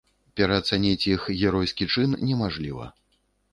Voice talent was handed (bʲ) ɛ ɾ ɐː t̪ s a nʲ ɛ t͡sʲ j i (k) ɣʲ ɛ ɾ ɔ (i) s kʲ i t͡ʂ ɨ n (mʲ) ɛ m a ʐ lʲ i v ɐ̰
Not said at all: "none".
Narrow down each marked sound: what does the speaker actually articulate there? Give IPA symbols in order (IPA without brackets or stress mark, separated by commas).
pʲ, x, j, nʲ